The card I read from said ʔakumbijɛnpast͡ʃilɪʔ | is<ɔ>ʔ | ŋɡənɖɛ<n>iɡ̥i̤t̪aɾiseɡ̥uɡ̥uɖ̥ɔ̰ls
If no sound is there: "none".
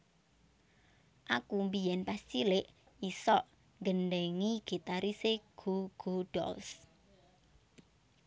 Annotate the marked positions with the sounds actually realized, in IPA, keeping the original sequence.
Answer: ɔ, ŋ

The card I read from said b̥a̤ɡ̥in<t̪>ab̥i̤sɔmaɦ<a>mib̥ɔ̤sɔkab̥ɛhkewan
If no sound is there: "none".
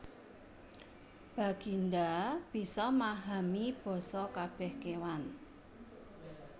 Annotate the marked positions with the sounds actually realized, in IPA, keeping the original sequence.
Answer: d̪, a

